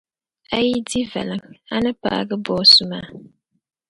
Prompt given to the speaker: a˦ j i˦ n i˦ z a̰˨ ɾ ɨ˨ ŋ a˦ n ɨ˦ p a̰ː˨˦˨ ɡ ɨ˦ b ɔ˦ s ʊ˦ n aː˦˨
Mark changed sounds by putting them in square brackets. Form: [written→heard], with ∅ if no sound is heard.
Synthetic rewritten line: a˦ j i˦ [n→d] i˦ [z→v] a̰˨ [ɾ→l] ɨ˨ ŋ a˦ n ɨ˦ p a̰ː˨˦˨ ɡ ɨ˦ b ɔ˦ s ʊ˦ [n→m] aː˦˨